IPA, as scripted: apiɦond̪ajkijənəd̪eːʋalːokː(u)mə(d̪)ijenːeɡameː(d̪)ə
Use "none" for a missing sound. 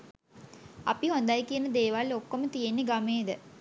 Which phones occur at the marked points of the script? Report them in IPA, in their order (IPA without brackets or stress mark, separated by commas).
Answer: o, t̪, d̪